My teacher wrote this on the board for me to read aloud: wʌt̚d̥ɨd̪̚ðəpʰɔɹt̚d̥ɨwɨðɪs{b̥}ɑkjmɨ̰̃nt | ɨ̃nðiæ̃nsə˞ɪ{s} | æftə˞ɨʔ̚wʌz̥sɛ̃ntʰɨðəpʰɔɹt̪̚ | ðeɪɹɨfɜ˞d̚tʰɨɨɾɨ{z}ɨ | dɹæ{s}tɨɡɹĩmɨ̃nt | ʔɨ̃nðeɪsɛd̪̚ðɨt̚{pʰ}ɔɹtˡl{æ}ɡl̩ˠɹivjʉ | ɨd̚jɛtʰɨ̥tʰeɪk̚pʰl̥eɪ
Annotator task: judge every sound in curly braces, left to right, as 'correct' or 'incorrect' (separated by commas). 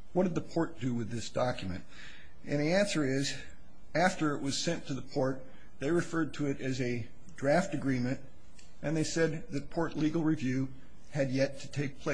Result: incorrect, incorrect, correct, incorrect, correct, incorrect